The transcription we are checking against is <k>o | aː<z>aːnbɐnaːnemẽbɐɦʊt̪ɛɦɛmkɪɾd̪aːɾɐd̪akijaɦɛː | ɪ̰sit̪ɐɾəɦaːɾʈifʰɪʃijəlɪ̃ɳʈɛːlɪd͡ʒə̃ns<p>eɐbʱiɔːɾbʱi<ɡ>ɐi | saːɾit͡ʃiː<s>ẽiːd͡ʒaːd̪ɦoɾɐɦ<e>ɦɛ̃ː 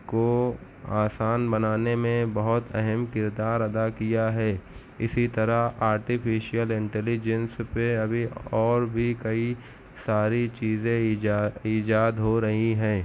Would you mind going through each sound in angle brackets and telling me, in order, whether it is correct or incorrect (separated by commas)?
correct, incorrect, correct, incorrect, incorrect, incorrect